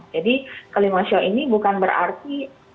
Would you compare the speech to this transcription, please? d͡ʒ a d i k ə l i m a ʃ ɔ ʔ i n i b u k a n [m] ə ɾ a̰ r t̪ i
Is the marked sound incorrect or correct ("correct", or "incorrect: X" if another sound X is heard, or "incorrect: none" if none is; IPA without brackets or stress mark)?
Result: incorrect: b